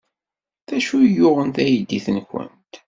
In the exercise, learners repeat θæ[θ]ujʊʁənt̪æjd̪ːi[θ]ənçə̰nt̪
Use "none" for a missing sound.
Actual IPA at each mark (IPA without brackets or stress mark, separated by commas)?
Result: ʃ, θ